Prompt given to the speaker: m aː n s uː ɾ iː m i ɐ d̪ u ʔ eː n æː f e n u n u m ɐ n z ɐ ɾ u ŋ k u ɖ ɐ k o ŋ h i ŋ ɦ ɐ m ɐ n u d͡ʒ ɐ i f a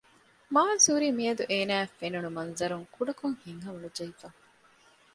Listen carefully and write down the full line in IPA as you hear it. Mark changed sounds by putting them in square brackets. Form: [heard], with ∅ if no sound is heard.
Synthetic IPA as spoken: m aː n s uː ɾ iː m i ɐ d̪ u ʔ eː n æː f e n u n u m ɐ n z ɐ ɾ u ŋ k u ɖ ɐ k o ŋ h i ŋ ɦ ɐ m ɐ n u d͡ʒ ɐ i f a